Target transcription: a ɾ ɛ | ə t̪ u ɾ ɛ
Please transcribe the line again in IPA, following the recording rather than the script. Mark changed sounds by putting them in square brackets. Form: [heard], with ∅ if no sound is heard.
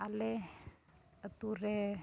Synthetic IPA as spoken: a [l] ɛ | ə t̪ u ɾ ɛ

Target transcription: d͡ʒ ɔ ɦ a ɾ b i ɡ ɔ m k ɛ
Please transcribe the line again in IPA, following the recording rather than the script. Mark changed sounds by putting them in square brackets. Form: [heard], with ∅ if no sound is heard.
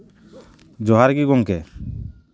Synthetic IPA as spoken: d͡ʒ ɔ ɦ a ɾ [ɡ] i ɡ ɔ [ŋ] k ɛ

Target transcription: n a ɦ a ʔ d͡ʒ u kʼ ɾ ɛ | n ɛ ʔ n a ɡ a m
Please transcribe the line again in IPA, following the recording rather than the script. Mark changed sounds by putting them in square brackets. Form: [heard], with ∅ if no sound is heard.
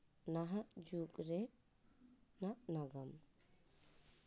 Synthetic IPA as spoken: n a ɦ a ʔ d͡ʒ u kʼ ɾ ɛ | n [a] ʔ n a ɡ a m

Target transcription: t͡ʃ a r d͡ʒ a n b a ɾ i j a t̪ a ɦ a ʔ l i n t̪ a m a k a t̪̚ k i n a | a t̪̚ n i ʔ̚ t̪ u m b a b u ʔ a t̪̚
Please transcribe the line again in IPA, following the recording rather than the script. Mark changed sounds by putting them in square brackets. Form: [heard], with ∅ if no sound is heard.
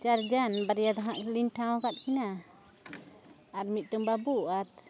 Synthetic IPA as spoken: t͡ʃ a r d͡ʒ a n b a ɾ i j a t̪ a ɦ a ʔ l i n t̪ a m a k a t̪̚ k i n a | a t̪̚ [m] i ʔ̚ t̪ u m b a b u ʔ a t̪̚

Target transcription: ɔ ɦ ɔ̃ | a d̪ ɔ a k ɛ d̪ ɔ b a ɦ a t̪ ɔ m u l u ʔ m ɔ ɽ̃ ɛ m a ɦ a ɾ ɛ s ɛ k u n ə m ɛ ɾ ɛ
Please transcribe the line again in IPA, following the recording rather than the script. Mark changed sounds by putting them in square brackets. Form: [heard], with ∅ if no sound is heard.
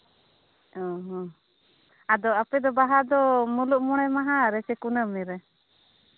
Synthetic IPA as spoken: ɔ ɦ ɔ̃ | a d̪ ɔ a [p] ɛ d̪ ɔ b a ɦ a [d̪] ɔ m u l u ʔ m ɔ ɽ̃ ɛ m a ɦ a ɾ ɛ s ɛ k u n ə m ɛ ɾ ɛ

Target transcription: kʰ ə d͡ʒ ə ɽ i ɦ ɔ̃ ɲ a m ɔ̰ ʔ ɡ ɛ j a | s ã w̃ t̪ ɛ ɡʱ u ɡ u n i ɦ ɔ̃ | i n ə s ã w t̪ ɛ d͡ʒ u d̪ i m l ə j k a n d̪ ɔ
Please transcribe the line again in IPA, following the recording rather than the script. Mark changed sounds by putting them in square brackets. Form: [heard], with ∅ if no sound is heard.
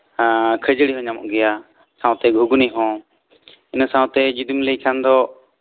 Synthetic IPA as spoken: kʰ ə d͡ʒ ə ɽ i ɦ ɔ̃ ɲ a m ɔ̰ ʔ ɡ ɛ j a | s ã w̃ t̪ ɛ ɡʱ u ɡ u n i ɦ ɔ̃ | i n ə s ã w t̪ ɛ d͡ʒ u d̪ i m l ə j [kʰ] a n d̪ ɔ

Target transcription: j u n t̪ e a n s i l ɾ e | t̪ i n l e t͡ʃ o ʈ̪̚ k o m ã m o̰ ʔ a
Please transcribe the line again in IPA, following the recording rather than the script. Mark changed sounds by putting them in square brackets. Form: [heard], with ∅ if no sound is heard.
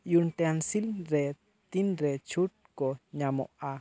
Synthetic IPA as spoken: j u n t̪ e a n s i l ɾ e | t̪ i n [ɾ] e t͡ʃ [u] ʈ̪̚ k o [ɲ] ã m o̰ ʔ a

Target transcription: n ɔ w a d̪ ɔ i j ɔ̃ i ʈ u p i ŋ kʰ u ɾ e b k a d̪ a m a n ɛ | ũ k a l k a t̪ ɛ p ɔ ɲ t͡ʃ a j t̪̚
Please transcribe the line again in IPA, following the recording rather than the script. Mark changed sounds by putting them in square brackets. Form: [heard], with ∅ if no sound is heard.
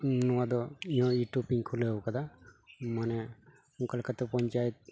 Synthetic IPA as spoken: n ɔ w a d̪ ɔ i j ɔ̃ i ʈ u p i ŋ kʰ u [l] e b k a d̪ a m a n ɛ | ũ k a l k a t̪ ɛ p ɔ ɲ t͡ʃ a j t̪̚

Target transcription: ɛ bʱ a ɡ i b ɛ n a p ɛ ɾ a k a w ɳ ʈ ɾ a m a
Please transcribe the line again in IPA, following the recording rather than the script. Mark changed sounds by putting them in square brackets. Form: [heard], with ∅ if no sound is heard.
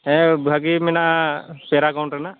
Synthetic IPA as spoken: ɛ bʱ a ɡ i [m] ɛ n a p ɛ ɾ a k a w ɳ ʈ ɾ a [n] a

